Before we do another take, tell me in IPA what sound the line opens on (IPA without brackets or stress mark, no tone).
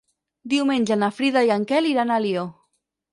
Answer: d̪